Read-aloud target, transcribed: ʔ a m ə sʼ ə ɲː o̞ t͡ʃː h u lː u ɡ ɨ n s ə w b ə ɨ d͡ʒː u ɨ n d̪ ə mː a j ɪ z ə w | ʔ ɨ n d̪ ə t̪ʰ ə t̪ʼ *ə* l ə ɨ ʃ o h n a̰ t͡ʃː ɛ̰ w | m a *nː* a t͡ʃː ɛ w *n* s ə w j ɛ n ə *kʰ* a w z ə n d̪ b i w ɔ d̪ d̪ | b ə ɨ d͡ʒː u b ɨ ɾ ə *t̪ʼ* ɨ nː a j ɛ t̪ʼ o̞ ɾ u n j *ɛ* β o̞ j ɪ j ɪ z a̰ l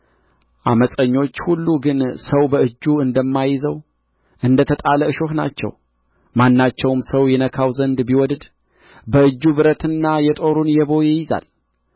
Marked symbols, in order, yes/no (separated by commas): no, yes, no, yes, no, yes